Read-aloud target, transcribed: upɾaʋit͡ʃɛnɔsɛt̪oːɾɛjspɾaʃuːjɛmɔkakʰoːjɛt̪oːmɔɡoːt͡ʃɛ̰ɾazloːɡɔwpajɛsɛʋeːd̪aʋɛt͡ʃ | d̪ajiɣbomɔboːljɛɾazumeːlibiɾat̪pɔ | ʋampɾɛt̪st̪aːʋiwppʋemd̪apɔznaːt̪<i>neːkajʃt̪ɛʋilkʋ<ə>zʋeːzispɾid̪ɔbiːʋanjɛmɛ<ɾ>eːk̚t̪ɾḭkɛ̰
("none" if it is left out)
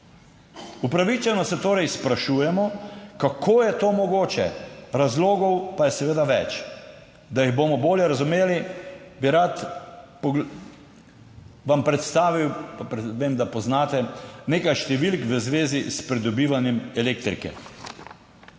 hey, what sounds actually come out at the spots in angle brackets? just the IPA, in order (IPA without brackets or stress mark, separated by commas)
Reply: ɛ, ə, l